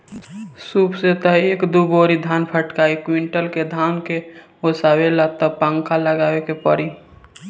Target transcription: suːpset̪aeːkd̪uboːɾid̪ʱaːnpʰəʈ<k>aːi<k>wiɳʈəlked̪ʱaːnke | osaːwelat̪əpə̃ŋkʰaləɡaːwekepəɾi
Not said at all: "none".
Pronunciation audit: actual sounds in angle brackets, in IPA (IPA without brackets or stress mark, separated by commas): k, k